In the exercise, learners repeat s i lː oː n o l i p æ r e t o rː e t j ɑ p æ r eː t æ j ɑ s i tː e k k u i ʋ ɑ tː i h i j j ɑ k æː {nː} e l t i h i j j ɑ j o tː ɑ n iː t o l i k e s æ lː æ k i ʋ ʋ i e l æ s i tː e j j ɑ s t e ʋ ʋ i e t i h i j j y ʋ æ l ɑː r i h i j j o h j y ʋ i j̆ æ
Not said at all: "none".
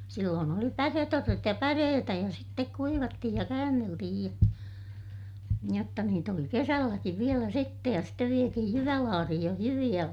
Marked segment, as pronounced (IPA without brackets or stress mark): nː